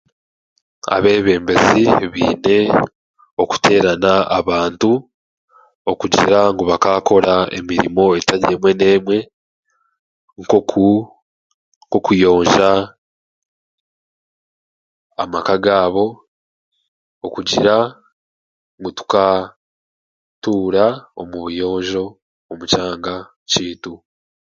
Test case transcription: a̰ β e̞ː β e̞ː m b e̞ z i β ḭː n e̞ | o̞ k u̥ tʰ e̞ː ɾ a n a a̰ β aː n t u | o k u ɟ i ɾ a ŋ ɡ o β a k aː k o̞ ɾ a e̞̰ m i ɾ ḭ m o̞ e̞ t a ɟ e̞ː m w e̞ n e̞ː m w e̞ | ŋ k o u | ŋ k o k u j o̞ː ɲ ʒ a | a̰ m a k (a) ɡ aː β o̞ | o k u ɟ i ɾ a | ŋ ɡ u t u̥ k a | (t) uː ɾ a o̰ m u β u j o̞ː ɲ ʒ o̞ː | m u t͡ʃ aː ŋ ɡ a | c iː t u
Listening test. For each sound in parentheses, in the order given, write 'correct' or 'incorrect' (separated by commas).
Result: correct, correct